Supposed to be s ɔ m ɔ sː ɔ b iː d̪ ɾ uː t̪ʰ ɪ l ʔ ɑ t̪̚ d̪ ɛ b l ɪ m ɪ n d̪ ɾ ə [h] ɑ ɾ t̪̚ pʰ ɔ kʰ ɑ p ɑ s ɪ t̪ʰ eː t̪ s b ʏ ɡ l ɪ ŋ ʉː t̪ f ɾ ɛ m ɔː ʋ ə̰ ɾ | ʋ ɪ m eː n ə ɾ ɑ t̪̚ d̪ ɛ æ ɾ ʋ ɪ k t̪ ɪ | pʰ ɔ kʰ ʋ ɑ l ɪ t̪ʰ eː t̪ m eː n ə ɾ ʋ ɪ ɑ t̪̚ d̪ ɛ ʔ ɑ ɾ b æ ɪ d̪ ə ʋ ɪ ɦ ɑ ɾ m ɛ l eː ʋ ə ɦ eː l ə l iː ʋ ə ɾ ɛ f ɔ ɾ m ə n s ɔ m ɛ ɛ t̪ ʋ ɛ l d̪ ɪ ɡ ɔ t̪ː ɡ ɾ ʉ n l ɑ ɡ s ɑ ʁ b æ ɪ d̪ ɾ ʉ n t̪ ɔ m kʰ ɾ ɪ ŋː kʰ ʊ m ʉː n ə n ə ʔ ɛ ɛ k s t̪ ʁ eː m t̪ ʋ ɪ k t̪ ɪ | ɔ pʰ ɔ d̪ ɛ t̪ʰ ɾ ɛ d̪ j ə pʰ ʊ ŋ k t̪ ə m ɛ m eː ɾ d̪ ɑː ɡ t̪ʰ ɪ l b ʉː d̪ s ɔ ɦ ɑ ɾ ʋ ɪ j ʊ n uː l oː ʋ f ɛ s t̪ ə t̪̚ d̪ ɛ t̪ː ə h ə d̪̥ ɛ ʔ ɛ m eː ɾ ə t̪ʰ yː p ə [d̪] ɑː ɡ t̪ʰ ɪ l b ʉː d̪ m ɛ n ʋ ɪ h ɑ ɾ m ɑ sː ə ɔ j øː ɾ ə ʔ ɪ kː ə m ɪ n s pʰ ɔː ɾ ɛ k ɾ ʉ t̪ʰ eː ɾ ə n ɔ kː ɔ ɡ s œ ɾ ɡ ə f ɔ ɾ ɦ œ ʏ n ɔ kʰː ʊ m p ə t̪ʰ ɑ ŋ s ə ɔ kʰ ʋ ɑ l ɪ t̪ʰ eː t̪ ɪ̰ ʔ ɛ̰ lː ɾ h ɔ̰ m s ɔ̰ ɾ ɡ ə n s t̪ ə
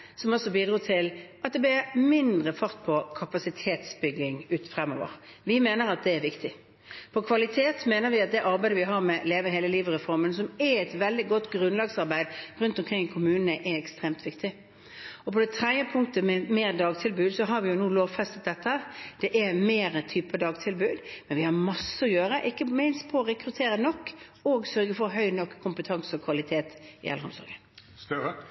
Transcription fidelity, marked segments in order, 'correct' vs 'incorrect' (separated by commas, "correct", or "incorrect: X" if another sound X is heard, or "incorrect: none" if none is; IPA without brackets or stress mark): incorrect: f, correct